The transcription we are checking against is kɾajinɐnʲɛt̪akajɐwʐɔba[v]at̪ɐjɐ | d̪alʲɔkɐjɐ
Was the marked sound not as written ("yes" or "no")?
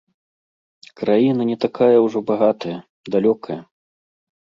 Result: yes